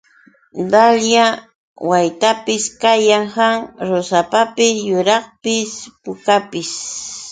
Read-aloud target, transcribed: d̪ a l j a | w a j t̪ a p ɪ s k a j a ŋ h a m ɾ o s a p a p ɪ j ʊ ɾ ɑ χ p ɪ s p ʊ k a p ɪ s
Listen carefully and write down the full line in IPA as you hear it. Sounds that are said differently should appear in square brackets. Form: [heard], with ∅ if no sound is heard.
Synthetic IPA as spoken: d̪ a l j a | w a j t̪ a p ɪ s k a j a ŋ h a [ŋ] ɾ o s a p a p ɪ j ʊ ɾ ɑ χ p ɪ s p ʊ k a p ɪ s